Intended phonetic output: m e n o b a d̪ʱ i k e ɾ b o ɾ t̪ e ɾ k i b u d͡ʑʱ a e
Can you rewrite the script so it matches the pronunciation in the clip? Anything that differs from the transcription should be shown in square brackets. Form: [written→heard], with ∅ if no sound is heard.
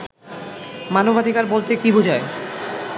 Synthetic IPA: m [e→a] n o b a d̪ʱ i k [e→a] ɾ b o [ɾ→l] t̪ e [ɾ→∅] k i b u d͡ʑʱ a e